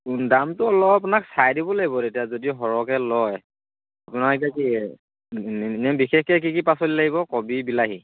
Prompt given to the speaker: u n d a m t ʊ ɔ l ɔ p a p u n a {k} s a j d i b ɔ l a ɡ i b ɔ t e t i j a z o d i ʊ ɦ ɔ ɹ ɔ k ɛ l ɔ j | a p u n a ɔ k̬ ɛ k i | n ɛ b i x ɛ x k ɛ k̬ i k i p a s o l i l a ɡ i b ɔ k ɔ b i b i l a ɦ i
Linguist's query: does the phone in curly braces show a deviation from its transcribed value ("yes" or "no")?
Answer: no